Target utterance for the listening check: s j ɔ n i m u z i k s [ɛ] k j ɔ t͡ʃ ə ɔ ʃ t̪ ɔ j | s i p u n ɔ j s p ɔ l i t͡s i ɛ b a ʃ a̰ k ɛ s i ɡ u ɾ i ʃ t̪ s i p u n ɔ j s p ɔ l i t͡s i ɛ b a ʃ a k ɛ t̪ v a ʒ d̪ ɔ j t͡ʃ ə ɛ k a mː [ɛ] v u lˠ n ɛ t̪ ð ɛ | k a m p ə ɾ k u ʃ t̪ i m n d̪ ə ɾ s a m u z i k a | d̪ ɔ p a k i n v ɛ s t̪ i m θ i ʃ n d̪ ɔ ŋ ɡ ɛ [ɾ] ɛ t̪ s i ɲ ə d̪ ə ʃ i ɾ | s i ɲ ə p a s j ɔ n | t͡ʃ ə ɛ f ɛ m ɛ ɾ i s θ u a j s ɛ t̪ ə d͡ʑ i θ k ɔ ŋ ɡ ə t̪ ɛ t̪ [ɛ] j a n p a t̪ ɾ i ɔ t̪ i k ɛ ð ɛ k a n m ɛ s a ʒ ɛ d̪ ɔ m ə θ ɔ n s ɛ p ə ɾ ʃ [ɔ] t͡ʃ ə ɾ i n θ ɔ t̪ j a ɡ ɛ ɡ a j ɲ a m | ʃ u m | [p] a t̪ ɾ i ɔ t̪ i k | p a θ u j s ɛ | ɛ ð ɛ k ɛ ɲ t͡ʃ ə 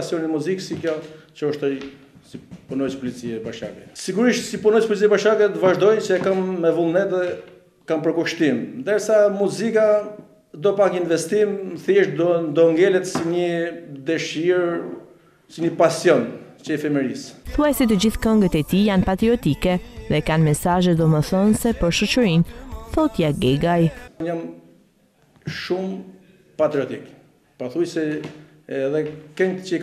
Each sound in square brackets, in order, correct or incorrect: incorrect, correct, incorrect, incorrect, correct, correct

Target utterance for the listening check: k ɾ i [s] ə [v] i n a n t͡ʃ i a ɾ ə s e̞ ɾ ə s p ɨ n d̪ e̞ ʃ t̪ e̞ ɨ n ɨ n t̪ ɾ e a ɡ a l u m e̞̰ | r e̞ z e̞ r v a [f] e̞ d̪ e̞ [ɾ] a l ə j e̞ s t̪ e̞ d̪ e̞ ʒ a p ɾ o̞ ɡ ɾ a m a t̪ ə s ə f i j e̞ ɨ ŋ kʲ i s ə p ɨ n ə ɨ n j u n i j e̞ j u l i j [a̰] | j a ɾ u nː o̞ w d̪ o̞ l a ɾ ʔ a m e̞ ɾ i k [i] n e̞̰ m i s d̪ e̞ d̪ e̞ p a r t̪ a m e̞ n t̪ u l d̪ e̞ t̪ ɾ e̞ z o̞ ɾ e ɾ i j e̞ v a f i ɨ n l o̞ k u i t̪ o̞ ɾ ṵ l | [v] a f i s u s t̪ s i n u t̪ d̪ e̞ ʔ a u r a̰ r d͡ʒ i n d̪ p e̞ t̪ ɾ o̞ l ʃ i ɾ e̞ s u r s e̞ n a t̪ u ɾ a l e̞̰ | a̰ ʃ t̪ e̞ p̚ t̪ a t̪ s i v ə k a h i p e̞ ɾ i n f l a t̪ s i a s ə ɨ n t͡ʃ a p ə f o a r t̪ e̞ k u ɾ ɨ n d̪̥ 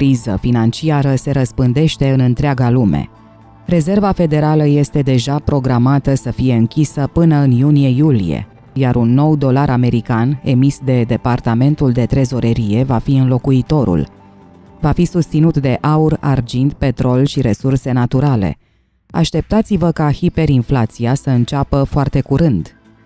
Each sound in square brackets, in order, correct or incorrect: incorrect, incorrect, correct, correct, incorrect, incorrect, correct

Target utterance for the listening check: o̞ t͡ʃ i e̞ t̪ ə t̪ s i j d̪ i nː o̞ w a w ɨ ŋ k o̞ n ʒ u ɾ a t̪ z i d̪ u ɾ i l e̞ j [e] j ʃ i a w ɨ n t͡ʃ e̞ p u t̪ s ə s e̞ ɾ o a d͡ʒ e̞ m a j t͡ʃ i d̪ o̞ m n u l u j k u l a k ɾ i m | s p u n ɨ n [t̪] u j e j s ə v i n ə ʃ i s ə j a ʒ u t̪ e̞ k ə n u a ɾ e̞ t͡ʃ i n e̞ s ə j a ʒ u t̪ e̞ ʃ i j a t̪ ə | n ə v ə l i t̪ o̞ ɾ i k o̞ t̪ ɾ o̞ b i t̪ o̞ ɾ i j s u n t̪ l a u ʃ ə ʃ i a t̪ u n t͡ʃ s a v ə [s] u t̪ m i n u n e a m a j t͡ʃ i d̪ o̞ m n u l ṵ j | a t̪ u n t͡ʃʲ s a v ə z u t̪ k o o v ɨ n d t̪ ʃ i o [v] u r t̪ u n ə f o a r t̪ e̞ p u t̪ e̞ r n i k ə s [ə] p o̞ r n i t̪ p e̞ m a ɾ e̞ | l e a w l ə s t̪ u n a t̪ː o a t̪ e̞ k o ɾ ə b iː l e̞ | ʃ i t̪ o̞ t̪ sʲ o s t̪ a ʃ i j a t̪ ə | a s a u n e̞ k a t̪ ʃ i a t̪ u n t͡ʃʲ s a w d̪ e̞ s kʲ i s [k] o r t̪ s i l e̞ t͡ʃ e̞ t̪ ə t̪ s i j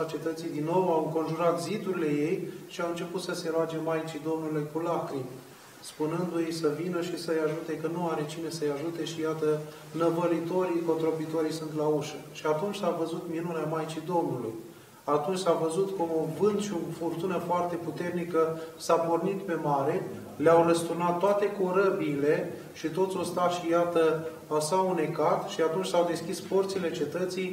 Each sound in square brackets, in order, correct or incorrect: correct, incorrect, incorrect, incorrect, incorrect, incorrect

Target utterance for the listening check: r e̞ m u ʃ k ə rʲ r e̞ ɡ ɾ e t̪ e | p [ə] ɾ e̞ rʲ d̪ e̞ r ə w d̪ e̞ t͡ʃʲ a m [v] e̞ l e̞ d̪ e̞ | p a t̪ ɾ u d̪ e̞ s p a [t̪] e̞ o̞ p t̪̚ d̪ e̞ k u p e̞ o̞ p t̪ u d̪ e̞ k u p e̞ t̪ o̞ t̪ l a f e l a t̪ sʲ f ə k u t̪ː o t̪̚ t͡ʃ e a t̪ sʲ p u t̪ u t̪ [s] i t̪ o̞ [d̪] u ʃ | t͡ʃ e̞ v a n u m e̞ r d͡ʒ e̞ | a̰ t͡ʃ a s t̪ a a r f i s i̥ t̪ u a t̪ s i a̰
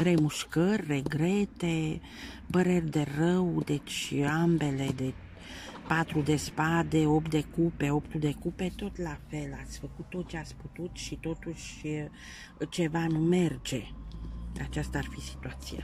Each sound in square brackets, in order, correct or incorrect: correct, incorrect, incorrect, incorrect, incorrect

